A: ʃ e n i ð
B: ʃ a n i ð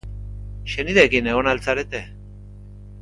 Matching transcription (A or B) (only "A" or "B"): A